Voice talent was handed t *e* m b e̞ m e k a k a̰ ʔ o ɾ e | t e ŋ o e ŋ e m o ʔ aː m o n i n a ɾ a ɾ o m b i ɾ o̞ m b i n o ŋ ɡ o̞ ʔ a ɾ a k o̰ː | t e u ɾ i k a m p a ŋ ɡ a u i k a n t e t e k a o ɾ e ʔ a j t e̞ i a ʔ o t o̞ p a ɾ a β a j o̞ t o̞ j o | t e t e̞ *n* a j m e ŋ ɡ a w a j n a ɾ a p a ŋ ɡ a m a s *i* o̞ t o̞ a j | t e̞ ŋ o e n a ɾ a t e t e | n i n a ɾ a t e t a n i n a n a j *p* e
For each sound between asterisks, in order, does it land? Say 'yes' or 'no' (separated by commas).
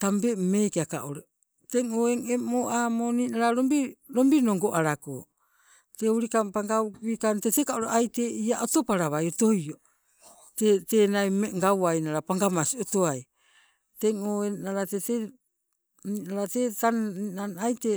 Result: no, yes, yes, no